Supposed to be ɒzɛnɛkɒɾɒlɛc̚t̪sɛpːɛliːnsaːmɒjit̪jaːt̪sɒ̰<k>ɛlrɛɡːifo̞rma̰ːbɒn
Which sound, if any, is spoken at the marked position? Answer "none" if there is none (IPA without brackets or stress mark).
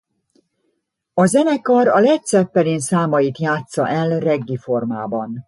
ʔ